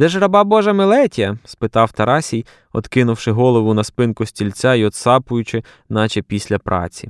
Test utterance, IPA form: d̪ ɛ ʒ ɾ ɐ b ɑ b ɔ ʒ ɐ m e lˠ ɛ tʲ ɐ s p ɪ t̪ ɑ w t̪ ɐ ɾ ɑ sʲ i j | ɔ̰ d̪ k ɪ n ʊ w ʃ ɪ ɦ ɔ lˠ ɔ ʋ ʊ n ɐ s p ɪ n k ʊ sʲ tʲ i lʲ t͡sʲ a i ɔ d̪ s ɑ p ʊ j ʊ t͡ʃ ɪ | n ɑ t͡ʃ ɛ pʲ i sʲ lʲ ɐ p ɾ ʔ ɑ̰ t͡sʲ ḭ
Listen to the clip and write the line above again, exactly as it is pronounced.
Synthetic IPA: d̪ ɛ ʒ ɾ ɐ b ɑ b ɔ ʒ ɐ m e lˠ ɛ tʲ ɐ s p ɪ t̪ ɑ w t̪ ɐ ɾ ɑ sʲ i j | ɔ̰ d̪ k ɪ n ʊ w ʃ ɪ ɦ ɔ lˠ ɔ ʋ ʊ n ɐ s p ɪ n k ʊ sʲ tʲ i lʲ t͡sʲ a i ɔ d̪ s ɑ p ʊ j ʊ t͡ʃ ɪ | n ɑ t͡ʃ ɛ pʲ i sʲ lʲ ɐ p ɾ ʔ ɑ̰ t͡sʲ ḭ